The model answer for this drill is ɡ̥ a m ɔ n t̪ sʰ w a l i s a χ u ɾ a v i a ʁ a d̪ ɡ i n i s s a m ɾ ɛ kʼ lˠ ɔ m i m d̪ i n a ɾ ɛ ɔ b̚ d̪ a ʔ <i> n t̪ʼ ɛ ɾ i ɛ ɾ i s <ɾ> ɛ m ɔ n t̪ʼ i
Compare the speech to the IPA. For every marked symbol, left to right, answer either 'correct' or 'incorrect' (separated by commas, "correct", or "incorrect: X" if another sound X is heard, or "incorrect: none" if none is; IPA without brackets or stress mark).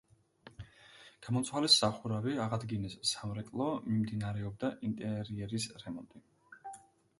correct, correct